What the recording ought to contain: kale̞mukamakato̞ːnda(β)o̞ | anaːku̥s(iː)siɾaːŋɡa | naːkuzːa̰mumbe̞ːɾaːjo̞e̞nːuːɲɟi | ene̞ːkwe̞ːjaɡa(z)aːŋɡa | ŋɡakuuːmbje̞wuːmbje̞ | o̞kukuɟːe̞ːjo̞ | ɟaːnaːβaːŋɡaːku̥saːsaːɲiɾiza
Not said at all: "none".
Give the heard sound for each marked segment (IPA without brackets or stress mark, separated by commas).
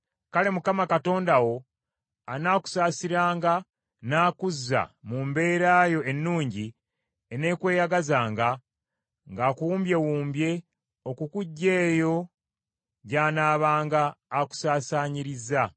w, aː, z